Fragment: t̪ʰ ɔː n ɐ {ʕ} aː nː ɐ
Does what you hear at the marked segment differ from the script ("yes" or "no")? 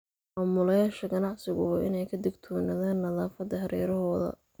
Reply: yes